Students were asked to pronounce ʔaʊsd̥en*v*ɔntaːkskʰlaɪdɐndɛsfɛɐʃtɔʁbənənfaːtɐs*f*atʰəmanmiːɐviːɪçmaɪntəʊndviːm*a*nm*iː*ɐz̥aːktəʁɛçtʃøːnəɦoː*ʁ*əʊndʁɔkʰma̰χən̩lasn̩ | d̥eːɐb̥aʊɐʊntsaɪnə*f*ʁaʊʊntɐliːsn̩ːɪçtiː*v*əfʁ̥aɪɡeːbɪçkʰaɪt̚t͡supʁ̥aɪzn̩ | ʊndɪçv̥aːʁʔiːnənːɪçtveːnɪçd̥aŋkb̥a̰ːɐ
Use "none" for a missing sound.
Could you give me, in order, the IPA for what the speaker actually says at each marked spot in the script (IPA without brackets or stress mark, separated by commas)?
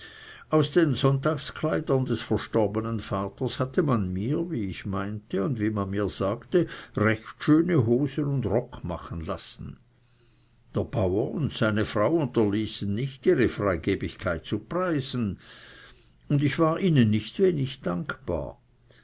z, h, a, iː, z, f, ʁ